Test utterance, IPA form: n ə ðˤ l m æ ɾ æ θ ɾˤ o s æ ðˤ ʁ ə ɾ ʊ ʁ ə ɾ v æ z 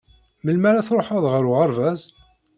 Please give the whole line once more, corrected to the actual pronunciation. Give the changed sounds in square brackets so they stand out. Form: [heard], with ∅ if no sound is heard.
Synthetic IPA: [m] ə [∅] l m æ ɾ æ θ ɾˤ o [ħ] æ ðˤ ʁ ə ɾ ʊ ʁ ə ɾ v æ z